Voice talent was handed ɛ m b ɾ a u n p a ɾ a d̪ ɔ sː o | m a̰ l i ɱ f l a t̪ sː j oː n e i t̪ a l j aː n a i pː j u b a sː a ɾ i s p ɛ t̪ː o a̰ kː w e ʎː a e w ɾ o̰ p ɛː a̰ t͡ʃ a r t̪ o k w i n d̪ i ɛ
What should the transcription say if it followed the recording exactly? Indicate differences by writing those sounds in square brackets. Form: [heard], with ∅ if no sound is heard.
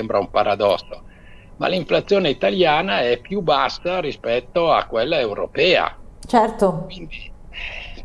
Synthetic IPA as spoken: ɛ m b ɾ a u [m] p a ɾ a d̪ ɔ sː o | m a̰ l i ɱ f l a t̪ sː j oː n e i t̪ a l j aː n a [ɛ] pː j u b a sː a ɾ i s p ɛ t̪ː o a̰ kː w e [lː] a e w ɾ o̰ p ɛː a̰ t͡ʃ [ɛ] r t̪ o k w i n d̪ i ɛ